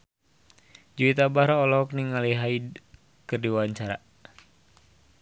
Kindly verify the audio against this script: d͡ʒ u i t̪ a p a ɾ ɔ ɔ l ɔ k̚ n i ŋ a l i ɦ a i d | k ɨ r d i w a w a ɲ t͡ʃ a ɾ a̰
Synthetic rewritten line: d͡ʒ u i t̪ a b a ɾ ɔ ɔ l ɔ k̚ n i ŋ a l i ɦ a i d | k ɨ r d i w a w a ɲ t͡ʃ a ɾ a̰